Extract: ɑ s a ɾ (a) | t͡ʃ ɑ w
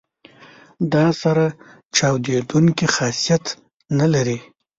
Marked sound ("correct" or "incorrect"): correct